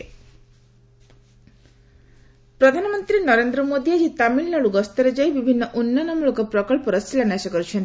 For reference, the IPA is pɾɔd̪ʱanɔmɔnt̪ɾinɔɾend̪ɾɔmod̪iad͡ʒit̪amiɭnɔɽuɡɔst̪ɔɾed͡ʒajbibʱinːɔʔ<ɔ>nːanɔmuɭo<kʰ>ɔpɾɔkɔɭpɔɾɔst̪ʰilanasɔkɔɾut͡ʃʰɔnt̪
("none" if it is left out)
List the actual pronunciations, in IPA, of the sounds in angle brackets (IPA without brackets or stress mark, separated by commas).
u, k